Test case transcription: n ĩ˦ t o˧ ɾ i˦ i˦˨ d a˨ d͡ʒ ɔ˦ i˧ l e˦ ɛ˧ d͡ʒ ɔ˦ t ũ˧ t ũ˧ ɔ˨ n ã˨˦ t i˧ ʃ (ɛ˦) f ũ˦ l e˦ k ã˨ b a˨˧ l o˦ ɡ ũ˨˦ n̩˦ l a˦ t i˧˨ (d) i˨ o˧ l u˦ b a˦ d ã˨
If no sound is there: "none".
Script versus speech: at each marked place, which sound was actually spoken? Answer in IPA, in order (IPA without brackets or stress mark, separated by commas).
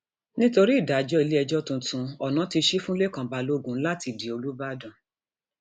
i˦, d